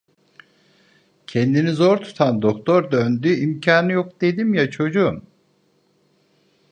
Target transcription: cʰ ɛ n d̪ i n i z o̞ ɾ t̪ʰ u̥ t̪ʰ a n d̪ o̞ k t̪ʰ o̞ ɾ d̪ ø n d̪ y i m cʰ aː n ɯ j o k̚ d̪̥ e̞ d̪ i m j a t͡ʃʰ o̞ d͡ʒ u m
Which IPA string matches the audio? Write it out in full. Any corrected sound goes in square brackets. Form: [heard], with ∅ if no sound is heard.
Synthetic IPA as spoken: cʰ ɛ n d̪ i n i z o̞ ɾ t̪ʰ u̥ t̪ʰ a n d̪ o̞ k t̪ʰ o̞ ɾ d̪ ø n d̪ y i m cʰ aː n ɯ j o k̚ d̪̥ e̞ d̪ i m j a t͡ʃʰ o̞ d͡ʒ u m